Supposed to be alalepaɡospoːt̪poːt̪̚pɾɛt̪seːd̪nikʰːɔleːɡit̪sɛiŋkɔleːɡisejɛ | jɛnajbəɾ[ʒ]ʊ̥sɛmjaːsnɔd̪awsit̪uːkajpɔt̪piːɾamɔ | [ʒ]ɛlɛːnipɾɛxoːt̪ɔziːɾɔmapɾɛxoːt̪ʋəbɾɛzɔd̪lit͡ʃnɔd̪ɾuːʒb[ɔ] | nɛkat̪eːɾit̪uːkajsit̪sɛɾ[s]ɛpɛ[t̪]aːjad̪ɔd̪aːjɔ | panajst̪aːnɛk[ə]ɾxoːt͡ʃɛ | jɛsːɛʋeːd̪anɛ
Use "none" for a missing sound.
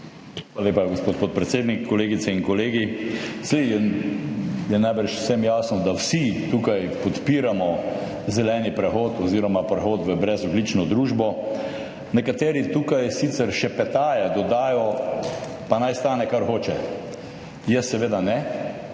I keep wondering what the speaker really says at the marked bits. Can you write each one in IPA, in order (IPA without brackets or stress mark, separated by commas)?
ʃ, z, ɔ, ʃ, t̪, a